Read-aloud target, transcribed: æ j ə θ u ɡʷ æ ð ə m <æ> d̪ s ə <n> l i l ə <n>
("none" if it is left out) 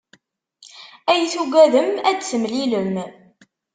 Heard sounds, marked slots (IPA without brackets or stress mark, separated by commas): æ, m, m